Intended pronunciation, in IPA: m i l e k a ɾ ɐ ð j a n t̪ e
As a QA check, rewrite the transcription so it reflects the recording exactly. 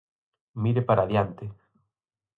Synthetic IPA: m i ɾ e p a ɾ a ð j a n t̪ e

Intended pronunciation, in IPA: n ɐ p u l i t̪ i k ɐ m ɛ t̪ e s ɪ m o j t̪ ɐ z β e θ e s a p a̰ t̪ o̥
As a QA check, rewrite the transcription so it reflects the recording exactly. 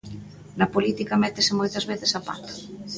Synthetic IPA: n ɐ p o l i t̪ i k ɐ m ɛ t̪ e s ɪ m o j t̪ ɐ z β e θ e s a p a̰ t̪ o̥

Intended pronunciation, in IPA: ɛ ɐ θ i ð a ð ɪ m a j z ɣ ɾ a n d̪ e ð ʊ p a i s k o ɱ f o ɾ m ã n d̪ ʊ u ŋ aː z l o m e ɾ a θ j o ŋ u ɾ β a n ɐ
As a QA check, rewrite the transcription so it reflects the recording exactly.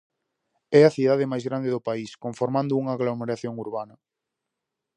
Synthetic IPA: ɛ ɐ θ i ð a ð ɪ m a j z ɣ ɾ a n d̪ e ð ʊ p a i s k o ɱ f o ɾ m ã n d̪ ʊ u ŋ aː ɣ l o m e ɾ a θ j o ŋ u ɾ β a n ɐ

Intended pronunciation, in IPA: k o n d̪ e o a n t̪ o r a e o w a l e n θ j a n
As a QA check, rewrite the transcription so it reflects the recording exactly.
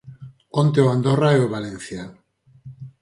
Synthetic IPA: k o n t̪ e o a n d̪ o r a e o β a l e n θ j a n

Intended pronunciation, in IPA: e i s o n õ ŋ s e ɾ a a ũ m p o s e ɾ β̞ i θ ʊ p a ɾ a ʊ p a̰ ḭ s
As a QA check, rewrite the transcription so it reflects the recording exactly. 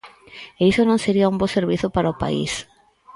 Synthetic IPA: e i s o n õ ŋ s e ɾ i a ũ m b o s e ɾ β̞ i θ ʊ p a ɾ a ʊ p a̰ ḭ s

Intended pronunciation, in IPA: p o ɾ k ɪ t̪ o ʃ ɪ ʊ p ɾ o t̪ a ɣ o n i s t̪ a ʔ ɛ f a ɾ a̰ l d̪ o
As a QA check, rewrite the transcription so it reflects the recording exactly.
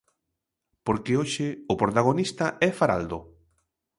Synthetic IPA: p o ɾ k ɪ o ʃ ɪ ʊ p ɾ o t̪ a ɣ o n i s t̪ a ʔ ɛ f a ɾ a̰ l d̪ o

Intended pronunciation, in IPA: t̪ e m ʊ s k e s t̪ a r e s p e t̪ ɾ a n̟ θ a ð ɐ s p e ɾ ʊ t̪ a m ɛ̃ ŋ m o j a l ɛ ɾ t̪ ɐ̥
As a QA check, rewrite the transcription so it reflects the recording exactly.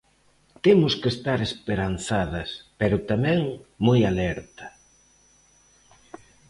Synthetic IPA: t̪ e m ʊ s k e s t̪ a ɾ e s p e ɾ a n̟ θ a ð ɐ s p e ɾ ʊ t̪ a m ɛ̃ ŋ m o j a l ɛ ɾ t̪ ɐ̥

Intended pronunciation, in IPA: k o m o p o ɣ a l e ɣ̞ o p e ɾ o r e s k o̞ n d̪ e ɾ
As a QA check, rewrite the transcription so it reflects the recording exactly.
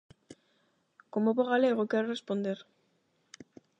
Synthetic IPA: k o m o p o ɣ a l e ɣ̞ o k e ɾ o r e s p o̞ n d̪ e ɾ

